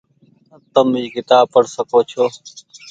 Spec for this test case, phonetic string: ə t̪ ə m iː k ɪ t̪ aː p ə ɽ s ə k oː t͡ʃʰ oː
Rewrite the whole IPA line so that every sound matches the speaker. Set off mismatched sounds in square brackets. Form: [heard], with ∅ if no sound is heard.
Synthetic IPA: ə t̪ ə m iː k ɪ t̪ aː p ə ɽ s ə k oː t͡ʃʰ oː